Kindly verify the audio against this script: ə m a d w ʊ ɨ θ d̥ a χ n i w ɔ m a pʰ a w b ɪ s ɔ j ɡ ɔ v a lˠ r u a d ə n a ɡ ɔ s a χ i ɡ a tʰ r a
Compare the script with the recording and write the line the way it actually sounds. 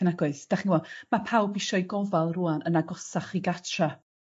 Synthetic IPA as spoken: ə n a ɡ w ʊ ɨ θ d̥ a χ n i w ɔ m a pʰ a w b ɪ ʃ ɔ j ɡ ɔ v a lˠ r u a n ə n a ɡ ɔ s a χ i ɡ a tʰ r a